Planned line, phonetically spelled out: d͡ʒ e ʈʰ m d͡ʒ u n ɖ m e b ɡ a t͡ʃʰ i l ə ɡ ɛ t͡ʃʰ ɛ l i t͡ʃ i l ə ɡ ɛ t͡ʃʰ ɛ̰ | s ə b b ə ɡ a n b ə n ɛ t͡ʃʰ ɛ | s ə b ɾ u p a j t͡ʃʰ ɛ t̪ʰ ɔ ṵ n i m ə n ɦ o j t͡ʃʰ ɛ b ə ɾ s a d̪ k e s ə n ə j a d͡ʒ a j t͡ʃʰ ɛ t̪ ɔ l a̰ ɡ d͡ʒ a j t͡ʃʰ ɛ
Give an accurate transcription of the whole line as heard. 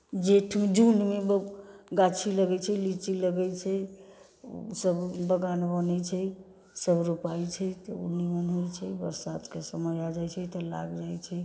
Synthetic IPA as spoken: d͡ʒ e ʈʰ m d͡ʒ u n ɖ m e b ɡ a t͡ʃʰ i l ə ɡ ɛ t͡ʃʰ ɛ l i t͡ʃ i l ə ɡ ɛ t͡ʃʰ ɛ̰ | s ə b b ə ɡ a n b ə n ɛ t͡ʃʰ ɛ | s ə b ɾ u p a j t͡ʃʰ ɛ t̪ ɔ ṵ n i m ə n ɦ o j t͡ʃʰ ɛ b ə ɾ s a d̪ k e s ə m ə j a d͡ʒ a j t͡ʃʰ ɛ t̪ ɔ l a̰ ɡ d͡ʒ a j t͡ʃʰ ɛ